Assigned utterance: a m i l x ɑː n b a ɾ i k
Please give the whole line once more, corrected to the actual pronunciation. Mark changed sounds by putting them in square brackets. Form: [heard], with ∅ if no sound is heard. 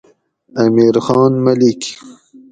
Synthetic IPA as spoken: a m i [ɾ] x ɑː n [m] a [l] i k